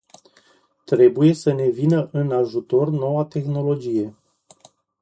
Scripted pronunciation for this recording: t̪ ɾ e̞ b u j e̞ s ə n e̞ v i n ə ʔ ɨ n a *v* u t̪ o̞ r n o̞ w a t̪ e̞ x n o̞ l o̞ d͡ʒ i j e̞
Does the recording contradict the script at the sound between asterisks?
yes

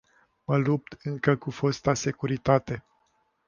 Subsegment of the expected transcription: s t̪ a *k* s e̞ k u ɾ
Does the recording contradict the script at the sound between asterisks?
yes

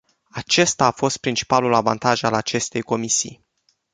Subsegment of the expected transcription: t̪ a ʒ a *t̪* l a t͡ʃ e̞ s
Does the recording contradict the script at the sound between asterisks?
yes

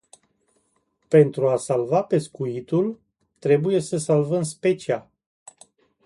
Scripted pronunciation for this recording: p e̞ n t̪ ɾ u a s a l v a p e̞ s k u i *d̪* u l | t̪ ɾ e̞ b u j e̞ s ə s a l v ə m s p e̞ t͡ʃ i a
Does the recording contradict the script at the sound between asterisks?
yes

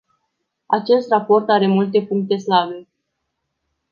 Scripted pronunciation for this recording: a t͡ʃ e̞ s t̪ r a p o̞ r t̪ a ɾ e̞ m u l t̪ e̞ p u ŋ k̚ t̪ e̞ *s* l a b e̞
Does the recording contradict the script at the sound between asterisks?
no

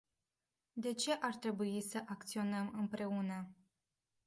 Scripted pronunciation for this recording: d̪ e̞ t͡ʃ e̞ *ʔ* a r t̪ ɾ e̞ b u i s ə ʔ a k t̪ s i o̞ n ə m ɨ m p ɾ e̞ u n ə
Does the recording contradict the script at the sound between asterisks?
no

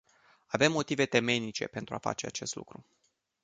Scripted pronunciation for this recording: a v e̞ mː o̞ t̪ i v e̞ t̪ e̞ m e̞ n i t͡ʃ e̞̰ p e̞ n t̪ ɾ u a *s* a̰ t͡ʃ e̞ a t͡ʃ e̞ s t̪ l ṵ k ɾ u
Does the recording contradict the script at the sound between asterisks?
yes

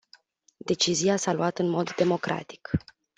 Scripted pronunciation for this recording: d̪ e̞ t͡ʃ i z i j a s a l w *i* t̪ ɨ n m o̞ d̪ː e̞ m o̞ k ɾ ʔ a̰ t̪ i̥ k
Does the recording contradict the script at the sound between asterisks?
yes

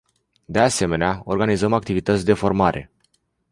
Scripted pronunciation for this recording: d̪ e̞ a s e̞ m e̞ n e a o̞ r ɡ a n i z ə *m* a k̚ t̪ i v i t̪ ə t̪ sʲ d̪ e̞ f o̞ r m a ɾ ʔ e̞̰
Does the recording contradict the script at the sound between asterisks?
no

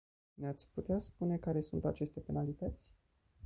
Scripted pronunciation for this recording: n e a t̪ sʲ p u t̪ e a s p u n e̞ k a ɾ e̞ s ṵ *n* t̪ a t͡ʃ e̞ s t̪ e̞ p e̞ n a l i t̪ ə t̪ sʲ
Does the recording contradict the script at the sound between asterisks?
no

